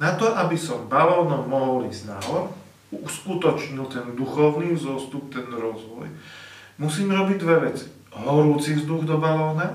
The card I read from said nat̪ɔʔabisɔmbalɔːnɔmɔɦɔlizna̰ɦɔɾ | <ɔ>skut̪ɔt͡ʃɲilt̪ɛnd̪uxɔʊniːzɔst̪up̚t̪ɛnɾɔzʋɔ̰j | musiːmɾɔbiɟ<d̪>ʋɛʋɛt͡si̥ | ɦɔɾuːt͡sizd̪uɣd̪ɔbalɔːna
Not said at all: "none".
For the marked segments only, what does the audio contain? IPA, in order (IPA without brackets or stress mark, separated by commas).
u, d̪